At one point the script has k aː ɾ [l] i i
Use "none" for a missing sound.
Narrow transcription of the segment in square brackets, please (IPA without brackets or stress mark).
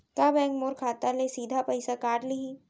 l